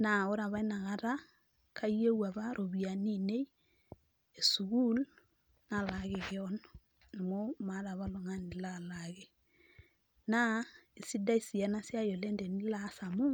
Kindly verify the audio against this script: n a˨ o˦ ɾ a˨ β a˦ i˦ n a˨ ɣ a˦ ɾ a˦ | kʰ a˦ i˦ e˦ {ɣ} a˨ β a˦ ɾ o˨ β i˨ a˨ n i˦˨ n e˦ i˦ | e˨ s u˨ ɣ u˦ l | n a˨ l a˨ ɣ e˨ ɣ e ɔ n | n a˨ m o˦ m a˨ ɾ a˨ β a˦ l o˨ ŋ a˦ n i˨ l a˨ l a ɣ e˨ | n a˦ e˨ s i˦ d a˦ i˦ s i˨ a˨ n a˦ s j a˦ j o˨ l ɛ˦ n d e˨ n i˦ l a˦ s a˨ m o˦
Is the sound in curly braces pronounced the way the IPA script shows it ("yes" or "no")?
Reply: no